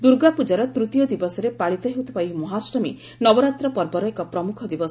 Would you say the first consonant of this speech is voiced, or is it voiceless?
voiced